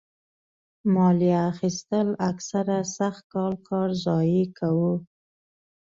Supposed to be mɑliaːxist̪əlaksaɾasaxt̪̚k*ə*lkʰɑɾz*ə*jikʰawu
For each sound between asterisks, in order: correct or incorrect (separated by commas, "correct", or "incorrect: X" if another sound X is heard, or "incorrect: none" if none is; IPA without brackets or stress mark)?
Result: incorrect: ɑ, incorrect: ɑ